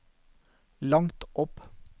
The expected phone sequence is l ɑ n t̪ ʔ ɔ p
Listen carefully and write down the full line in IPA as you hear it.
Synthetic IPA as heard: l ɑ ŋ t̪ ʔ ɔ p